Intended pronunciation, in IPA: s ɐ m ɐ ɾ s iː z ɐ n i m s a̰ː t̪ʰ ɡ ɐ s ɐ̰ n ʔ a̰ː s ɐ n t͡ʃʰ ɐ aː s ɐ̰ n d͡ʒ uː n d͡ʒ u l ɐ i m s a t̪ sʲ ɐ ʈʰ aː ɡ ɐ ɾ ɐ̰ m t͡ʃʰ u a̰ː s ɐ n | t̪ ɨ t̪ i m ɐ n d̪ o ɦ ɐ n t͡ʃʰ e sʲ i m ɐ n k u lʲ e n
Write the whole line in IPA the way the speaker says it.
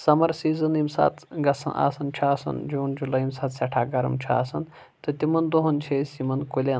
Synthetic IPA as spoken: s ɐ m ɐ ɾ s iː z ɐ n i m s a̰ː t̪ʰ ɡ ɐ s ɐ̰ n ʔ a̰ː s ɐ n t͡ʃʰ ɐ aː s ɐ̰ n d͡ʒ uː n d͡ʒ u l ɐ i m s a t̪ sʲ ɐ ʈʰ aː ɡ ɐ ɾ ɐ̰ m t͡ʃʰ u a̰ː s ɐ n | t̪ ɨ t̪ i m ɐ n d̪ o ɦ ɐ n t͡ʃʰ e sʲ i m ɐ n k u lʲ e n